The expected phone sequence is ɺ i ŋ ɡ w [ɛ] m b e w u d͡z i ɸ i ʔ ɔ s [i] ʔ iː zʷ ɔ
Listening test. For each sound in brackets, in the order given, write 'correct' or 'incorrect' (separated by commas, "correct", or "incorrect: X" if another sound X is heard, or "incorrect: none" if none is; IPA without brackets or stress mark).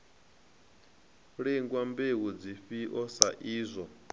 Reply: incorrect: a, incorrect: a